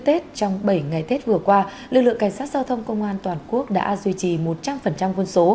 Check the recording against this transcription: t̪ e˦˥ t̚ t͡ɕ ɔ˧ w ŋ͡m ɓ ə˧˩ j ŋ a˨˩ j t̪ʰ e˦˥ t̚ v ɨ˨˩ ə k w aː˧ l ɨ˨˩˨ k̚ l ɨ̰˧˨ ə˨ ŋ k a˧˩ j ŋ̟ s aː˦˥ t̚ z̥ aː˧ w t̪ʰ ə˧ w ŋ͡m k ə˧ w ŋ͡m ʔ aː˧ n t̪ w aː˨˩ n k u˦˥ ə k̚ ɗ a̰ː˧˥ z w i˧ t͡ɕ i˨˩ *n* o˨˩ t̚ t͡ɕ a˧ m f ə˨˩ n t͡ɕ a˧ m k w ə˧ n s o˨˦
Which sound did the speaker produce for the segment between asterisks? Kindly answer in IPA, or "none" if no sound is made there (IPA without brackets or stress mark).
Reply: m